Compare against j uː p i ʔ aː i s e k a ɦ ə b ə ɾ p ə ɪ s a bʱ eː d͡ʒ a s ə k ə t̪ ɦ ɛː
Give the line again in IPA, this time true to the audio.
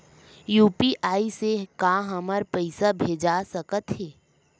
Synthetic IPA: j uː p i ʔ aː i s e k a ɦ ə m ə ɾ p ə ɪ s a bʱ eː d͡ʒ a s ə k ə t̪ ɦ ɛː